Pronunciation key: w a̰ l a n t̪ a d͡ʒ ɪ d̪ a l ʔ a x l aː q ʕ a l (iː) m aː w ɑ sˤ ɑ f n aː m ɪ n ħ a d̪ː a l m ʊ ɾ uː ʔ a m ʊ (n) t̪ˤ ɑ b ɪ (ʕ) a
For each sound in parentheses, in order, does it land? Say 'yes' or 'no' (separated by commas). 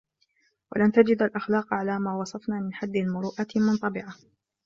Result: no, yes, yes